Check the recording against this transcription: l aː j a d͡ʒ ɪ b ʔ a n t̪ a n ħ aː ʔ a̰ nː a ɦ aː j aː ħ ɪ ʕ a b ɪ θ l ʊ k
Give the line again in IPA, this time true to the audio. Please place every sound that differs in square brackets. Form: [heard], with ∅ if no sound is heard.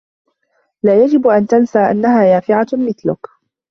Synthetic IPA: l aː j a d͡ʒ ɪ b ʔ a n t̪ a n [s] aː ʔ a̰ nː a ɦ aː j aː [f] ɪ ʕ a [m] ɪ θ l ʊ k